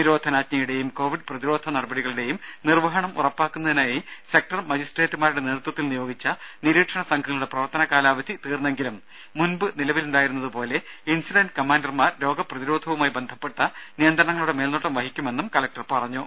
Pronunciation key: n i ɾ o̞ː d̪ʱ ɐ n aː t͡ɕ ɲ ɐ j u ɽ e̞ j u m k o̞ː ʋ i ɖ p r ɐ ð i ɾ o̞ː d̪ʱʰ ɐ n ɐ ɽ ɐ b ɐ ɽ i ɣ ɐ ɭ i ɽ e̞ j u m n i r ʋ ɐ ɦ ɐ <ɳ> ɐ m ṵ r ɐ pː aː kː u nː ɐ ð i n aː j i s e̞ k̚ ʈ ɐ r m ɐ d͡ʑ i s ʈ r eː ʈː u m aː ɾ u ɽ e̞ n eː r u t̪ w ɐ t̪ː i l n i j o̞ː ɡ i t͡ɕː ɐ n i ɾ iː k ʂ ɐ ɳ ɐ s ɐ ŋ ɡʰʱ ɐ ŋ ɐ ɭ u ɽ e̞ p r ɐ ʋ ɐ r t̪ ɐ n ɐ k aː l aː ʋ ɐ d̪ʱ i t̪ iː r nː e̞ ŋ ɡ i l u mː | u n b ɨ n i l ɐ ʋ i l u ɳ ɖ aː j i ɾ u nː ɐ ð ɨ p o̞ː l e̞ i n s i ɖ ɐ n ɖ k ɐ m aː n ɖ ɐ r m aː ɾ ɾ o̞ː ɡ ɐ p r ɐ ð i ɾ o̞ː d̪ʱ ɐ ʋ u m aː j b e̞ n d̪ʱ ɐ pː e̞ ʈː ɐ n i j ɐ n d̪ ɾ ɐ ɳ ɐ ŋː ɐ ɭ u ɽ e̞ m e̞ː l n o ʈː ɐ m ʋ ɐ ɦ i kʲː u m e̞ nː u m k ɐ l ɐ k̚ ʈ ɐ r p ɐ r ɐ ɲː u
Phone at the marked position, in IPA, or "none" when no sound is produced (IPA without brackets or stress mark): ɳ